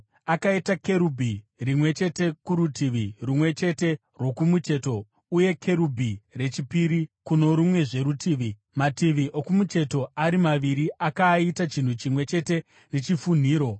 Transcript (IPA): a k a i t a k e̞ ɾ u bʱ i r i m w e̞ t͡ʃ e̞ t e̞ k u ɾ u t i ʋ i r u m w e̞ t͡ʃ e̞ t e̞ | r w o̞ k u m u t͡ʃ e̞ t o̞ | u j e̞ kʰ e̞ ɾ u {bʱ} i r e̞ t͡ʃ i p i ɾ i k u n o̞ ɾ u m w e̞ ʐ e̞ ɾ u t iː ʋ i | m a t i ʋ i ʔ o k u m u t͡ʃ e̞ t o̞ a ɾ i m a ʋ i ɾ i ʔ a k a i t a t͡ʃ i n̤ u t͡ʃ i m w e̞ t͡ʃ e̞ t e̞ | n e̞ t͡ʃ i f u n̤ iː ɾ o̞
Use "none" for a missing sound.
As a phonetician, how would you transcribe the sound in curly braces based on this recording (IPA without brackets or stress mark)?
bʱ